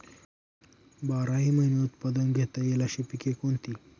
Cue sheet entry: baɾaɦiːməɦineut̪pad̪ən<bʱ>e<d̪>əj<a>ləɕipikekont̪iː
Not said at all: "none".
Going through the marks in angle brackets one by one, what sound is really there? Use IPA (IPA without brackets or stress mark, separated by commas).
ɡʱ, t̪, e